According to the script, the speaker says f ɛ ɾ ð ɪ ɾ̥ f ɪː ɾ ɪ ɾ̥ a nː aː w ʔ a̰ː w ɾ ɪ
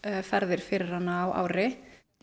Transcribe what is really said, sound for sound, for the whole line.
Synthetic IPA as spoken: f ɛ ɾ ð ɪ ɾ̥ f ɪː ɾ ɪ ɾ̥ a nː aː w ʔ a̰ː w ɾ ɪ